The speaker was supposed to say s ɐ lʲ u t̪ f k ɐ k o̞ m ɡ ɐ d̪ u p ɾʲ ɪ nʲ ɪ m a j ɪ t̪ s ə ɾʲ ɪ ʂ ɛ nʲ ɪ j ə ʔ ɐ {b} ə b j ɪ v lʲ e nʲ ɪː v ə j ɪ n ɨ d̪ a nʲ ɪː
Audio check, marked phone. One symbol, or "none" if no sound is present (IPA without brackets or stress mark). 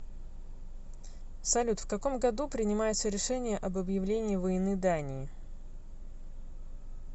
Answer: b